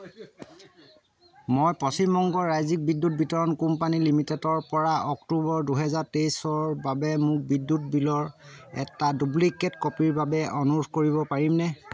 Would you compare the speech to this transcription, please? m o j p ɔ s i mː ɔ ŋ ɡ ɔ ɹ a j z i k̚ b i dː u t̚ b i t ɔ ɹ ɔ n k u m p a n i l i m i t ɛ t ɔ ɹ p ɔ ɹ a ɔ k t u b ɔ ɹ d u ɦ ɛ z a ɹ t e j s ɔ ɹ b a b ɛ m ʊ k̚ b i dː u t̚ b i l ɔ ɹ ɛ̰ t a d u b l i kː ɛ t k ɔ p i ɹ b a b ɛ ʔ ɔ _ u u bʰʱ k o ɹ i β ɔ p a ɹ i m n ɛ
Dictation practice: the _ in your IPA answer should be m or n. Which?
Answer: n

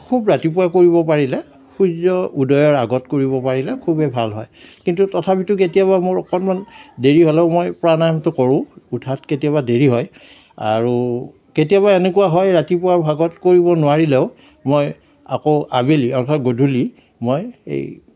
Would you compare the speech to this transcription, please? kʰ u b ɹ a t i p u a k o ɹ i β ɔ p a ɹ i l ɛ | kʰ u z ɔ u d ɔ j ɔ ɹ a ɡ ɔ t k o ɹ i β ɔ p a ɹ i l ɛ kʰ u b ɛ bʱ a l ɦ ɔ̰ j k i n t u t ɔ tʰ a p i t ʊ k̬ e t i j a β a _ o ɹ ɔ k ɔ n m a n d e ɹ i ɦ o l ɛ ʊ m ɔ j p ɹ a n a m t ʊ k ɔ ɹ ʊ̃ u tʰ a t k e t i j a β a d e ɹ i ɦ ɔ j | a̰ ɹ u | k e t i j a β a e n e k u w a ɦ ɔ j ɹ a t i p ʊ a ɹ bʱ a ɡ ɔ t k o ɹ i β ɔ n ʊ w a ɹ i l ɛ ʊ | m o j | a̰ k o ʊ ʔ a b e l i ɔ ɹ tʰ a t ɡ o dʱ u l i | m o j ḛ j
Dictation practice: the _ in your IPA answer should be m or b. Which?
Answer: m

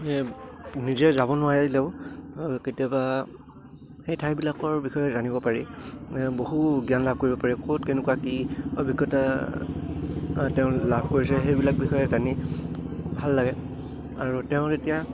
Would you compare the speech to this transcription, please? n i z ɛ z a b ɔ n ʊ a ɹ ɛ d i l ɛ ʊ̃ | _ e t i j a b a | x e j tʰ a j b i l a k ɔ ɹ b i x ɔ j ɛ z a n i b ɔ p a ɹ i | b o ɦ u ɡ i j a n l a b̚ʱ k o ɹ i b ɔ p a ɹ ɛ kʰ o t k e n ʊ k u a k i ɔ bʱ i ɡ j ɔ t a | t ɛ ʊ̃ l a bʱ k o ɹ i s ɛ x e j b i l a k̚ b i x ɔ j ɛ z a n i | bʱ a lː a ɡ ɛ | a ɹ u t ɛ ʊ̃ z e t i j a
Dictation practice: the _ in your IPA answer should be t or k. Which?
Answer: k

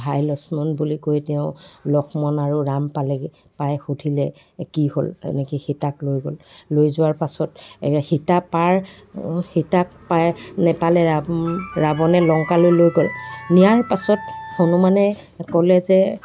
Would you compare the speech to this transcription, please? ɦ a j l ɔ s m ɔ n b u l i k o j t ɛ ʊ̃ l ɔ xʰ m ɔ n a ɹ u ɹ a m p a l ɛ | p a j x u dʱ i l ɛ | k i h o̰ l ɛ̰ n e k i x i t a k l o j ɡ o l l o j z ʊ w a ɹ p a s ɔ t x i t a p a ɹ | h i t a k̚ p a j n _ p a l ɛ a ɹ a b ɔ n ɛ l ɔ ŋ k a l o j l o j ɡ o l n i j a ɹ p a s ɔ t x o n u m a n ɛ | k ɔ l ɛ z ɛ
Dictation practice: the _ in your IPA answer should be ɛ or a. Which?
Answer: ɛ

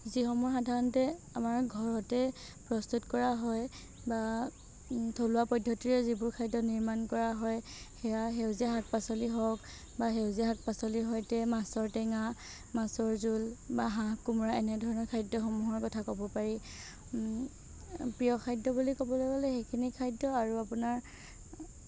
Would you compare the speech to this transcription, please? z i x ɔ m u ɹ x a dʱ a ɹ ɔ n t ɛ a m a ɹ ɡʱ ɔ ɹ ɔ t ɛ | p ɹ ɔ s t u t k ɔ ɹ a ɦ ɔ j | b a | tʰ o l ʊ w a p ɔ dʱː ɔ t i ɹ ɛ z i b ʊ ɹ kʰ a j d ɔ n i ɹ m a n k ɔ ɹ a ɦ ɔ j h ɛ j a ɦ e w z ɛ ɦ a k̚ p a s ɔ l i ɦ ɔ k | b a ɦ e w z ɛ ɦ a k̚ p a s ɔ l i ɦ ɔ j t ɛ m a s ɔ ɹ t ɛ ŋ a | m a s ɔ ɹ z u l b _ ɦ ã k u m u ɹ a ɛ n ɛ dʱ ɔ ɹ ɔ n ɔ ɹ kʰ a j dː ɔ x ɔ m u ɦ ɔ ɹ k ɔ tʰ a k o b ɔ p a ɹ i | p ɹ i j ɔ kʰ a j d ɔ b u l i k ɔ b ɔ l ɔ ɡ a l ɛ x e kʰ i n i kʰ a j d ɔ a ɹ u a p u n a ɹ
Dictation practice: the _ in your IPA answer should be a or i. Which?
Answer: a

